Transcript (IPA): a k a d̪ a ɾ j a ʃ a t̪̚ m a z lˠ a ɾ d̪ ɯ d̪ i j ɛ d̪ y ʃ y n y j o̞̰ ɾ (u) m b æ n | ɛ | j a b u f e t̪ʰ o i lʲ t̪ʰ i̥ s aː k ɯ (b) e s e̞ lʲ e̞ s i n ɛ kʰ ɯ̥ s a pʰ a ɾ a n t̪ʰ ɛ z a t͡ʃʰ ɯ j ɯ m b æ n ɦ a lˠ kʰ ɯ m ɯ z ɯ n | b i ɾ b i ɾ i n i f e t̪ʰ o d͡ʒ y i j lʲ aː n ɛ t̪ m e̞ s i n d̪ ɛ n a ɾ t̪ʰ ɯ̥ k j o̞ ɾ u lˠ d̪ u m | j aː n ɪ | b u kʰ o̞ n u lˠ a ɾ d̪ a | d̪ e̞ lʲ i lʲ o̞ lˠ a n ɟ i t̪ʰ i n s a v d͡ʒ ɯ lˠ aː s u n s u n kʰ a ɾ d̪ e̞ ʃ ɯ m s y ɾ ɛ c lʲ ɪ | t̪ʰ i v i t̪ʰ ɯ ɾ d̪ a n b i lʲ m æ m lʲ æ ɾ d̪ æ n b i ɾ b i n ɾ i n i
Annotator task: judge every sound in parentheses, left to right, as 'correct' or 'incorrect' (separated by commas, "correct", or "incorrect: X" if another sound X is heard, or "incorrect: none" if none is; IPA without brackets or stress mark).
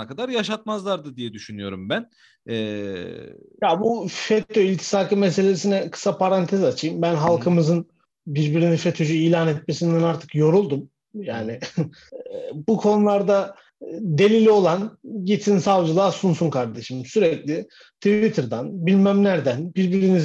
correct, incorrect: m